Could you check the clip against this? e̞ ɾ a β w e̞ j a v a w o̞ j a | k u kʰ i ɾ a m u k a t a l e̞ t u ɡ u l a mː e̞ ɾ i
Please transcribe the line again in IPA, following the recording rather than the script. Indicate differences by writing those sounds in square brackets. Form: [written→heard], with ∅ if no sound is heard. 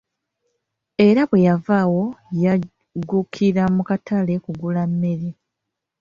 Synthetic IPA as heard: e̞ ɾ a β w e̞ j a v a w o̞ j a | [k→ɡ] u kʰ i ɾ a m u k a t a l e̞ [t→k] u ɡ u l a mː e̞ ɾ i